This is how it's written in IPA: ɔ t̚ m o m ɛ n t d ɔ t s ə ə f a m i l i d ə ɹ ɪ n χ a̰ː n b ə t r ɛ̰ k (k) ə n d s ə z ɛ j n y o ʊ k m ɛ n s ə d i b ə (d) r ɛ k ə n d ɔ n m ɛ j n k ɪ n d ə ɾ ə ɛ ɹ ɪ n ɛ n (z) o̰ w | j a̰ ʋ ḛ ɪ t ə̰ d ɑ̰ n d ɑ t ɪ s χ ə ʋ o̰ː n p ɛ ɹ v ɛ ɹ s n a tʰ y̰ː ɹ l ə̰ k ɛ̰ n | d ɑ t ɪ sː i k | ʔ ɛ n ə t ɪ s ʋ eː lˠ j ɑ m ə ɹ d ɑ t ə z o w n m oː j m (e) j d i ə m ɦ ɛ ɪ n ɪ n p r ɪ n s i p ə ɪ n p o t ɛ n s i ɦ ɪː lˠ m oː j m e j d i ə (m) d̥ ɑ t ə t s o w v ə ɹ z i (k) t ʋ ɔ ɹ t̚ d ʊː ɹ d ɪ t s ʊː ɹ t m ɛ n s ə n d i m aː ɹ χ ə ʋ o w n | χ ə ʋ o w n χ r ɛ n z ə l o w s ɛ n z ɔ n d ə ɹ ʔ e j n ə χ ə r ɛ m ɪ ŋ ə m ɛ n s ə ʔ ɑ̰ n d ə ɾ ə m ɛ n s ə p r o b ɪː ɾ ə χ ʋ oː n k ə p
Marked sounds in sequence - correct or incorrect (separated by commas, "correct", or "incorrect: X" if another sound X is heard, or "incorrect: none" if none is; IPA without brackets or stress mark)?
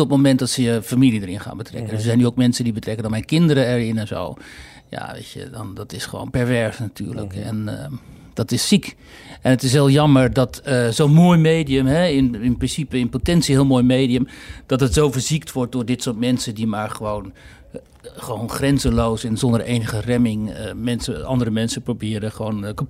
correct, incorrect: t, correct, correct, correct, correct